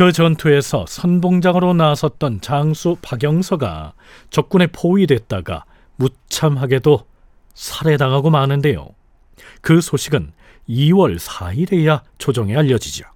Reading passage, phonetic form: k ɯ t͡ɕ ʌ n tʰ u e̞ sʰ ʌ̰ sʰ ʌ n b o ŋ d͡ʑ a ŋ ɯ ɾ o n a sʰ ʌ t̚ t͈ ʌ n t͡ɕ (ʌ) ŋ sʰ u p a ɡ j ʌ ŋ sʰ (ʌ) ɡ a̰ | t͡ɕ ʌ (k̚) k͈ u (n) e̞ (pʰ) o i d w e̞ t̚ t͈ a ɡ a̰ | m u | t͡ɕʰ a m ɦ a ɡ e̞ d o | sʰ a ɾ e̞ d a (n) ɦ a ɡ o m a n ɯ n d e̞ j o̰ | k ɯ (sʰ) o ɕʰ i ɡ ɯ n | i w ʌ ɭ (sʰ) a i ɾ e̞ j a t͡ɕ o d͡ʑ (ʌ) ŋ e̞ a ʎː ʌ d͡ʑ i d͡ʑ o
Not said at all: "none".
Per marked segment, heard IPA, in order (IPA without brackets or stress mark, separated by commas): a, ʌ, k̚, n, pʰ, ŋ, sʰ, sʰ, ʌ